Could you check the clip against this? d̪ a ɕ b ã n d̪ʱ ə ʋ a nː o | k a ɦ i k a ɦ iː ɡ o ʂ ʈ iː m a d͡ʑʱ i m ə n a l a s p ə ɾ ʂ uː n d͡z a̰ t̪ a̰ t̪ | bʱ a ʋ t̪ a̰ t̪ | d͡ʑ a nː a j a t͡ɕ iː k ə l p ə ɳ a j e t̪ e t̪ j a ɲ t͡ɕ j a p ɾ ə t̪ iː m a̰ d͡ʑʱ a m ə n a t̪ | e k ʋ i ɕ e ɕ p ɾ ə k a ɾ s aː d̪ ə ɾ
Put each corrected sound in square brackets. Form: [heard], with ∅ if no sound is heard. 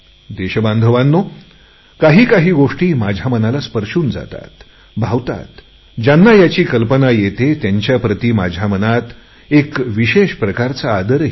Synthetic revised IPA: d̪ [e] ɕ b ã n d̪ʱ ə ʋ a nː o | k a ɦ [iː] k a ɦ iː ɡ o ʂ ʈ iː m a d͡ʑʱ [a] m ə n a l a s p ə ɾ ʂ uː n d͡z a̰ t̪ a̰ t̪ | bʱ a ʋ t̪ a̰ t̪ | d͡ʑ a nː a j a t͡ɕ iː k ə l p ə [n] a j e t̪ e t̪ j a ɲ t͡ɕ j a p ɾ ə t̪ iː m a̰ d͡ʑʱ a m ə n a t̪ | e k ʋ i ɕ e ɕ p ɾ ə k a ɾ [t͡s] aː d̪ ə ɾ